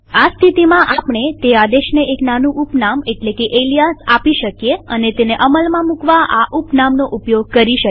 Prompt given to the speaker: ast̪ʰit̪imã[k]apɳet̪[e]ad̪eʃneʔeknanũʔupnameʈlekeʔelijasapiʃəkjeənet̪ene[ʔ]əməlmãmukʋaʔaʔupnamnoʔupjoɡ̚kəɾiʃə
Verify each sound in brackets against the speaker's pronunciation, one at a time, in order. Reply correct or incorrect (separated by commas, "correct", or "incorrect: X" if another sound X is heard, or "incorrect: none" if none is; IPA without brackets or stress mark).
incorrect: ʔ, correct, correct